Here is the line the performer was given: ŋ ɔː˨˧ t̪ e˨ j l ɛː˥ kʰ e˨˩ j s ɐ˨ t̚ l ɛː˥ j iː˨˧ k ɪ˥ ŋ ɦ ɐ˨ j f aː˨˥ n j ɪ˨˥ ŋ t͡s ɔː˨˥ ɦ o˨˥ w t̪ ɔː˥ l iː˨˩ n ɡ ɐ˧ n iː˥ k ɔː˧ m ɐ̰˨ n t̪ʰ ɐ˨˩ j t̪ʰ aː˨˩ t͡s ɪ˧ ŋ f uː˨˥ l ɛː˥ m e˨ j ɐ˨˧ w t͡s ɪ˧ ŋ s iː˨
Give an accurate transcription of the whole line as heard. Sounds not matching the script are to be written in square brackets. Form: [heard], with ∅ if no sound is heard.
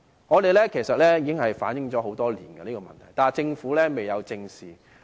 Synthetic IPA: ŋ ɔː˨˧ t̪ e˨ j l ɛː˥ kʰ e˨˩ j s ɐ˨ t̚ l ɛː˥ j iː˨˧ k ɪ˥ ŋ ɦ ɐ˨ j f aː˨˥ n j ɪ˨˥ ŋ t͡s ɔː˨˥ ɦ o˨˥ w t̪ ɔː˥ l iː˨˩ n ɡ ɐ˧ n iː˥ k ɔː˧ m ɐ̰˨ n t̪ʰ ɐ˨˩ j [t̪] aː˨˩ t͡s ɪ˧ ŋ f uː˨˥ l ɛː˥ m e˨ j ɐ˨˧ w t͡s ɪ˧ ŋ s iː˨